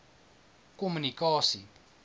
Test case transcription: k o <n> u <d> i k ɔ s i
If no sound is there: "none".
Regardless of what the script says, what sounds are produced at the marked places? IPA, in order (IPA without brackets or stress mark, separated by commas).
m, n